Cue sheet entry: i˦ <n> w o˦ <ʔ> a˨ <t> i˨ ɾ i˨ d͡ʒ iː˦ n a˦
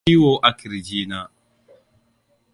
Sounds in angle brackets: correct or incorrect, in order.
incorrect: none, correct, incorrect: k

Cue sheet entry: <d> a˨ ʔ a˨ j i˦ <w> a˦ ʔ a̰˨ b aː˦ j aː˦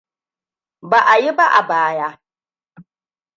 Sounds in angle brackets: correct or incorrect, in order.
incorrect: b, incorrect: b

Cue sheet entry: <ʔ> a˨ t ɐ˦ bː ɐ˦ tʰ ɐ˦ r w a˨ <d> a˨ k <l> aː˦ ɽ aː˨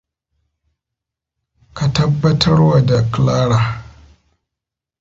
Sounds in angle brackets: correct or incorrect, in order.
incorrect: k, correct, correct

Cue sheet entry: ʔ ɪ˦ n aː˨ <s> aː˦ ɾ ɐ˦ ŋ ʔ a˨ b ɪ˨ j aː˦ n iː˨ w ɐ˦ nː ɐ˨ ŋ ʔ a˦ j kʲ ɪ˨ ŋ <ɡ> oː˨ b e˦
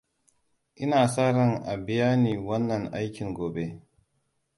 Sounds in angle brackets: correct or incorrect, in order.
correct, correct

